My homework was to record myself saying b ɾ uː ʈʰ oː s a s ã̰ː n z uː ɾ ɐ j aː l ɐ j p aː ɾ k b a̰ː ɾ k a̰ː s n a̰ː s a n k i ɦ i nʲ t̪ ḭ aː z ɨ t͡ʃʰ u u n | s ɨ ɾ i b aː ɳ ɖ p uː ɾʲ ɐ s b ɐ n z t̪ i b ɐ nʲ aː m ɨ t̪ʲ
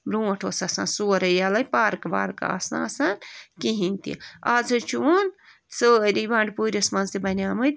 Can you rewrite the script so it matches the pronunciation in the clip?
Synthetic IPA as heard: b ɾ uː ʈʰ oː s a s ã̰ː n s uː ɾ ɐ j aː l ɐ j p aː ɾ k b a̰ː ɾ k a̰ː s n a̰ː s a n k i ɦ i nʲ t̪ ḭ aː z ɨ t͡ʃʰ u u n | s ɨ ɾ i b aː ɳ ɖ p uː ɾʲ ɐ s m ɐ n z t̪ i b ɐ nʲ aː m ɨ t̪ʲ